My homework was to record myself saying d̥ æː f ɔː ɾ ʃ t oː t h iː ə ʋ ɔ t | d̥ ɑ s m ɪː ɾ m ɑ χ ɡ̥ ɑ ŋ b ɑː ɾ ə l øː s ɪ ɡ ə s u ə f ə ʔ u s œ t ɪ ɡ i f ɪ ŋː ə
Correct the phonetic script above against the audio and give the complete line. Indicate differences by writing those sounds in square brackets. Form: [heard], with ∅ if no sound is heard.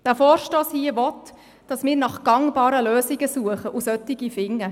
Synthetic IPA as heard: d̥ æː f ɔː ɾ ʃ t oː [s] h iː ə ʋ ɔ t | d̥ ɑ s m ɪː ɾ [n] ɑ χ ɡ̥ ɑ ŋ b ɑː ɾ ə l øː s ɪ ɡ ə s u ə [χ] ə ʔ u s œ t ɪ ɡ i f ɪ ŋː ə

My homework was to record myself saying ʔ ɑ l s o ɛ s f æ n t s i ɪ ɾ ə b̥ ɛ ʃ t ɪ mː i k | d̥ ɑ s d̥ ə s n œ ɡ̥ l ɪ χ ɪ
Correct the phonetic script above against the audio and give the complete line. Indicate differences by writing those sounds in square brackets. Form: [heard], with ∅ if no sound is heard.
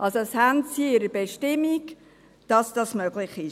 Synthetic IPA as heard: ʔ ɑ l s o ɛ s [h] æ n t s i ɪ ɾ ə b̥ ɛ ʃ t ɪ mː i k | d̥ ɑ s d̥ [ɑ] s [m] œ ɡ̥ l ɪ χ ɪ

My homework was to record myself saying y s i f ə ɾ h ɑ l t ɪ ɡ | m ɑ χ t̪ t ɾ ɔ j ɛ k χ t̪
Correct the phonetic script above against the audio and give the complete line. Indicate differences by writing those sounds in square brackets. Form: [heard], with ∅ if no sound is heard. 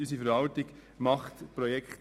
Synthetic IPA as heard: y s i f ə ɾ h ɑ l t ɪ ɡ | m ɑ χ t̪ [p] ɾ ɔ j ɛ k χ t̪

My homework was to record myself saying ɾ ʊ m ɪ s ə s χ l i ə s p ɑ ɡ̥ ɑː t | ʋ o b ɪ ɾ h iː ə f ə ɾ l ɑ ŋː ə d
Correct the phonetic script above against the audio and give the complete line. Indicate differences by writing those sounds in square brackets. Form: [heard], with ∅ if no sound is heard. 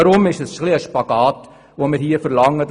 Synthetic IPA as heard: ɾ ʊ m ɪ [ʃ] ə s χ l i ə [ʃ] p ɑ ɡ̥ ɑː t | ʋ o [m] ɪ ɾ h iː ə f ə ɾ l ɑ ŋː ə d

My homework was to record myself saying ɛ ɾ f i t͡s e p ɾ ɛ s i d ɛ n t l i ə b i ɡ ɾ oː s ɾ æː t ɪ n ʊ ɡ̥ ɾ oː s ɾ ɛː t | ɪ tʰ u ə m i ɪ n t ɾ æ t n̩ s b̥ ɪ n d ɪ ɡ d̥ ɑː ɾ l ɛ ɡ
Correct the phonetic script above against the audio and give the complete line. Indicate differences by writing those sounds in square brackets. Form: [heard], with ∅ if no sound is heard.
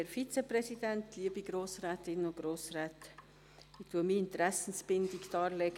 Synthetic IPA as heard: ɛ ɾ f i t͡s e p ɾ ɛ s i d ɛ n t l i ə b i ɡ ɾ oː s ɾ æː t ɪ n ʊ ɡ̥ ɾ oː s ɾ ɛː t | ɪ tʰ u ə m i ɪ n t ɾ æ [s] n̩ s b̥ ɪ n d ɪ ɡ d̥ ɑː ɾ l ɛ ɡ

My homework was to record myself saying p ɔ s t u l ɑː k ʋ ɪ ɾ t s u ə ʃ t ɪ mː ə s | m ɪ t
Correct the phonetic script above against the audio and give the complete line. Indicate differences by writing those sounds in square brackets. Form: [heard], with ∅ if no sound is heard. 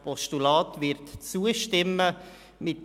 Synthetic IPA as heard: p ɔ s t u l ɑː [t] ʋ ɪ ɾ t [t͡s] u ə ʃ t ɪ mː ə [∅] | m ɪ t

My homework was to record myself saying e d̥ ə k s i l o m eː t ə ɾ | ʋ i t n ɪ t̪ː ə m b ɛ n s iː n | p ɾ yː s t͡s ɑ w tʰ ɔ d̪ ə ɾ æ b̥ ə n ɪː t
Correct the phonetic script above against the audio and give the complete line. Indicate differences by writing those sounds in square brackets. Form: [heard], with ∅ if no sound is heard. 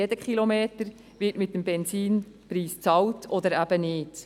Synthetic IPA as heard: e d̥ ə k [χ] i l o m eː t ə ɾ | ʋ [ɪ] t [m] ɪ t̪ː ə m b ɛ n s iː n | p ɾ [iː] s t͡s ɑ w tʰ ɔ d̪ ə ɾ æ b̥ ə n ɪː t

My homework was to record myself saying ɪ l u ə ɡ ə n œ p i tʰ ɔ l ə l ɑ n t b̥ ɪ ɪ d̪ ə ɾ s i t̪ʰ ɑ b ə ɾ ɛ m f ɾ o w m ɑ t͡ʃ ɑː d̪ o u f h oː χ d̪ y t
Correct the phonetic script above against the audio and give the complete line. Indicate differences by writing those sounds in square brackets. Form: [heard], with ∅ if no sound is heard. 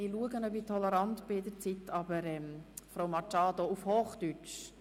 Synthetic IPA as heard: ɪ l u ə ɡ ə n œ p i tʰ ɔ l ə [ɾ] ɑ n t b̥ ɪ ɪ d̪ ə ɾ [t͡s] i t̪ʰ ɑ b ə ɾ ɛ m f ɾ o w m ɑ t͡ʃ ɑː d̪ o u f h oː χ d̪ y [t͡ʃ]

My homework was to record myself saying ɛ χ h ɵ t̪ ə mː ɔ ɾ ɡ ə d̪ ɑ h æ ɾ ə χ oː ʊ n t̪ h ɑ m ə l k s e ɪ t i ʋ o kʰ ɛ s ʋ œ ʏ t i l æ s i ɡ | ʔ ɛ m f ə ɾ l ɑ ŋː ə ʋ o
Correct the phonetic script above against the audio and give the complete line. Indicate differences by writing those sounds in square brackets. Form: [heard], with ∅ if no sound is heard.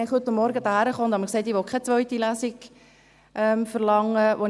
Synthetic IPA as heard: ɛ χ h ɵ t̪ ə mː ɔ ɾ ɡ ə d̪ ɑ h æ ɾ ə χ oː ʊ n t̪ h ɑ m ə [∅] k s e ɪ t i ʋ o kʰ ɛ [t͡s] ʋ œ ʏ t i l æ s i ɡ | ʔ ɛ m f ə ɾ l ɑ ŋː ə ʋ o

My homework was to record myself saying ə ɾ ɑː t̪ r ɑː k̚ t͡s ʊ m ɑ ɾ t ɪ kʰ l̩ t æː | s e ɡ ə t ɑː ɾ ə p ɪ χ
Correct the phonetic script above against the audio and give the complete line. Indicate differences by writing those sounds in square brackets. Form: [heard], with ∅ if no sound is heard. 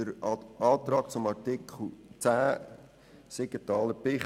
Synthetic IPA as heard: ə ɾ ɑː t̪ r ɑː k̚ t͡s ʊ m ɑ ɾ t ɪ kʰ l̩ [t͡s] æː | s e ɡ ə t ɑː [l] ə p ɪ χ

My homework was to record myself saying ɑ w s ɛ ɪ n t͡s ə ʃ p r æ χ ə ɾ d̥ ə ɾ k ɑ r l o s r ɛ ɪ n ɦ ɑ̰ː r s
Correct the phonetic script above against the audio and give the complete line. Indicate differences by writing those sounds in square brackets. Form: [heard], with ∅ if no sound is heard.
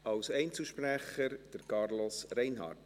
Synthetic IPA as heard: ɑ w s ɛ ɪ n t͡s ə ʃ p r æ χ ə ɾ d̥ ə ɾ k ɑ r l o s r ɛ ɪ n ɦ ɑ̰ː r [t]

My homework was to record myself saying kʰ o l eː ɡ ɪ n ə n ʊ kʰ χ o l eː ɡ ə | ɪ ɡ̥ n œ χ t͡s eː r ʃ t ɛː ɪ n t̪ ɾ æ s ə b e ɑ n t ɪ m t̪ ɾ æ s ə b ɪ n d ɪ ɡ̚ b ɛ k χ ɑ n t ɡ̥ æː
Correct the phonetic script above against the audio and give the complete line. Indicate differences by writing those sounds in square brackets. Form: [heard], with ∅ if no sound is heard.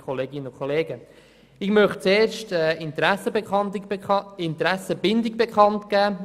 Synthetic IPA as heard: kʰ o l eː ɡ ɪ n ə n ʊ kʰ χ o l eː ɡ ə | ɪ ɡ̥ [m] œ χ t͡s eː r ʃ t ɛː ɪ n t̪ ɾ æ s ə b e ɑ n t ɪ [n] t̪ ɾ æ s ə b ɪ n d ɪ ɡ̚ b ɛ k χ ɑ n t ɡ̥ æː

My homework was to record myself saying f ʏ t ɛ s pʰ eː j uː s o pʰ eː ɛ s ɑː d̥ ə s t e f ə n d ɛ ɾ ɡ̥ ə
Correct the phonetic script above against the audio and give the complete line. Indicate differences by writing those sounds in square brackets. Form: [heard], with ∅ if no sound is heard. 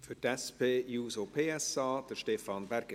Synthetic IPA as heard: f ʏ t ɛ s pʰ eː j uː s o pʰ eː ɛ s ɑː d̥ ə [ʃ] t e f [ɑ] n [b] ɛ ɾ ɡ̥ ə

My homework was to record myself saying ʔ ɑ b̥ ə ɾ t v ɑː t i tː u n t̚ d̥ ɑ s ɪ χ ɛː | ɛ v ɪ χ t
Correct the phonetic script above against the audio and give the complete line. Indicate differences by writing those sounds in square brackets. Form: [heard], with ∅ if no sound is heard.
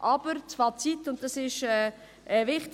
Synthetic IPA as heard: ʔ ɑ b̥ ə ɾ [t͡s] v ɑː [t͡s] i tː [ʊ] n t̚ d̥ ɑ s ɪ [ʃ] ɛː | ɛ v ɪ χ t

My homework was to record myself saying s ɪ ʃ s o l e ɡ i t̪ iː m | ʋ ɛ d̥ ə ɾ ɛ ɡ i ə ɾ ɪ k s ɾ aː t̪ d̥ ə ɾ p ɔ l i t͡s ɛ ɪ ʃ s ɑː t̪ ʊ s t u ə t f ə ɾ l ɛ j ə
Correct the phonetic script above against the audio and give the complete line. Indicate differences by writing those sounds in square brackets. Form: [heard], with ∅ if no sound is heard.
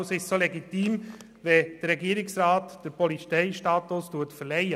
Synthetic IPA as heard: s ɪ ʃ s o l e ɡ i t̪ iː m | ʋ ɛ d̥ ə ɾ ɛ ɡ i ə ɾ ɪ k s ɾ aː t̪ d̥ ə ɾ p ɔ l i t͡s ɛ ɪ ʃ [t] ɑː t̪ ʊ s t u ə t f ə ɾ l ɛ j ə

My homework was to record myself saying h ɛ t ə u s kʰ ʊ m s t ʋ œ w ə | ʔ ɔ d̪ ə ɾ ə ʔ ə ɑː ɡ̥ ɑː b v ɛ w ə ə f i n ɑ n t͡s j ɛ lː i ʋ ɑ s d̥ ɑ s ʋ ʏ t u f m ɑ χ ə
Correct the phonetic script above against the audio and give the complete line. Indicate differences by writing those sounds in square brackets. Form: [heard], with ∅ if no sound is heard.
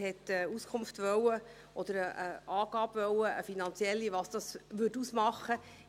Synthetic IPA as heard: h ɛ t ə u s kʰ ʊ m [f] t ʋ œ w ə | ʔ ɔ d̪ ə ɾ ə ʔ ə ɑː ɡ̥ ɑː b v [œ] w ə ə f i n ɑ n t͡s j ɛ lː i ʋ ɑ s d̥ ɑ s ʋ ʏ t u [s] m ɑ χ ə

